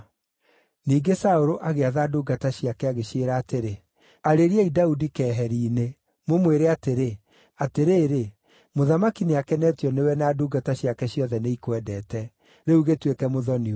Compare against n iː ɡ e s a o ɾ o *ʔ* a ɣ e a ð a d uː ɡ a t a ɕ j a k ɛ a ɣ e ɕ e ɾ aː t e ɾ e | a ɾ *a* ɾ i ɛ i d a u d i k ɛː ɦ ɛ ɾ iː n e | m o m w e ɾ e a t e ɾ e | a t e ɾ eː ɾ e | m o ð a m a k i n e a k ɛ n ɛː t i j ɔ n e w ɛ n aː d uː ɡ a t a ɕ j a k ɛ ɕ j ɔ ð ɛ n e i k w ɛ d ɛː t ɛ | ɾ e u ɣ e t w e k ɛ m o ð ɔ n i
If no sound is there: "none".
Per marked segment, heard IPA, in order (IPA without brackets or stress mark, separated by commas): ʔ, e